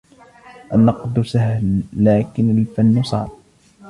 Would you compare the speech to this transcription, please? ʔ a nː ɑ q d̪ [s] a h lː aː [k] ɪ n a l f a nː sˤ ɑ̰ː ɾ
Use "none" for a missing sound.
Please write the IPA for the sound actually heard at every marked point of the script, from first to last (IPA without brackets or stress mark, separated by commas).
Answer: s, k